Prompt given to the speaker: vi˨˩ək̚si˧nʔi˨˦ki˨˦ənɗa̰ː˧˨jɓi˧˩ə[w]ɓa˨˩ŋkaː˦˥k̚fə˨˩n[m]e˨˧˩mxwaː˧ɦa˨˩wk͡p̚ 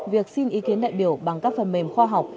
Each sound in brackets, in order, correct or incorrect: correct, correct

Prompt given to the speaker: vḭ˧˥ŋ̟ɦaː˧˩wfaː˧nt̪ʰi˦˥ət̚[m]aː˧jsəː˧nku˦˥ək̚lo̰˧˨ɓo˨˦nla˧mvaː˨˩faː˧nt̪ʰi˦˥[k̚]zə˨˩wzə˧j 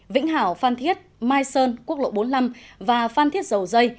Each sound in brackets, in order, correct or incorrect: correct, incorrect

